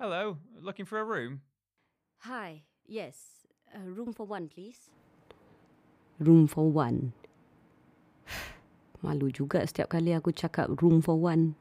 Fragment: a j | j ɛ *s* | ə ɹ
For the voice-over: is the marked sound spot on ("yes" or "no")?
yes